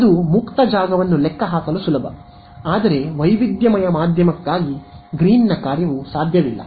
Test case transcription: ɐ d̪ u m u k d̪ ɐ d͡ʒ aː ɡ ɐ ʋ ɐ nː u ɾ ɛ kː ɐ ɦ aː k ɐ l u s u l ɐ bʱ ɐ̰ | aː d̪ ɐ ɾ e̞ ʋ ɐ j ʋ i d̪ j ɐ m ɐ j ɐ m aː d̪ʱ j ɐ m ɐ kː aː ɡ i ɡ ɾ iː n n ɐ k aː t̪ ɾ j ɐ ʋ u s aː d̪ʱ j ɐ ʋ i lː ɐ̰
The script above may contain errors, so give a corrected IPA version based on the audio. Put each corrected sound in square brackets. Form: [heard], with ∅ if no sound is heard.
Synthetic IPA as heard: ɐ d̪ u m u k [t̪] ɐ d͡ʒ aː ɡ ɐ ʋ ɐ nː u [l] ɛ kː ɐ ɦ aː k ɐ l u s u l ɐ bʱ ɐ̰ | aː d̪ ɐ ɾ e̞ ʋ ɐ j ʋ i d̪ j ɐ m ɐ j ɐ m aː d̪ʱ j ɐ m ɐ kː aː ɡ i ɡ ɾ iː n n ɐ k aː [∅] ɾ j ɐ ʋ u s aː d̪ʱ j ɐ ʋ i lː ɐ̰